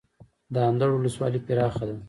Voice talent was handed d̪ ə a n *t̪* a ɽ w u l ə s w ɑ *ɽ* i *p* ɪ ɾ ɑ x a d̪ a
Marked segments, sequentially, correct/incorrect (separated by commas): incorrect, incorrect, correct